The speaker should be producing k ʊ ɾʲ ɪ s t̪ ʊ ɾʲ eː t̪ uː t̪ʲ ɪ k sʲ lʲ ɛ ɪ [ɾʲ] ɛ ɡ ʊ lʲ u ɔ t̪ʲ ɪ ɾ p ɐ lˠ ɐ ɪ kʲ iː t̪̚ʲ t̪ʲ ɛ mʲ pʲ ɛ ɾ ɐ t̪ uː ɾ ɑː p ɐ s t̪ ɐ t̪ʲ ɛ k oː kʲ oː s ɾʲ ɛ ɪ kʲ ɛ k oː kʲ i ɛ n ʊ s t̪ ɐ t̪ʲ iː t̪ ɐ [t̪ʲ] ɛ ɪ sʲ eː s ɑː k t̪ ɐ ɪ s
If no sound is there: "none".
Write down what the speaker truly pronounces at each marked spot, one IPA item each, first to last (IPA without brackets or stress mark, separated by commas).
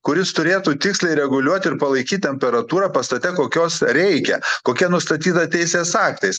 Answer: ɾʲ, t̪ʲ